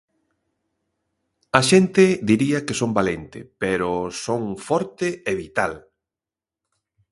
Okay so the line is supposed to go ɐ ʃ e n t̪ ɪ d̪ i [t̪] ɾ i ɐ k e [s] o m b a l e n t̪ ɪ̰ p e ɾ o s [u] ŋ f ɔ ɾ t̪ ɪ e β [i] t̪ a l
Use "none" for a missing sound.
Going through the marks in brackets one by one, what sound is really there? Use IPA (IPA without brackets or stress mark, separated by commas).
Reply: none, s, o, i